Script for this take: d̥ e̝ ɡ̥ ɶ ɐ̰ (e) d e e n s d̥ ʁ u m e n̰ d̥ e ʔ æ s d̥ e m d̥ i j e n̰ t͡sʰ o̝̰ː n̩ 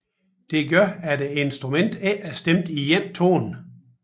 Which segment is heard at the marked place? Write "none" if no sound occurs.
æ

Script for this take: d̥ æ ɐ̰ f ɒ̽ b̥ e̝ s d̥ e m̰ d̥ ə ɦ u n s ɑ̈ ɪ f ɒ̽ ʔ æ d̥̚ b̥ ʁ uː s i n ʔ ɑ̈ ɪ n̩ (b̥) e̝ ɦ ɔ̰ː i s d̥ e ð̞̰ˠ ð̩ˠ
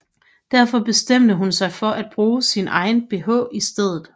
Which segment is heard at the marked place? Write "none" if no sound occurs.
b̥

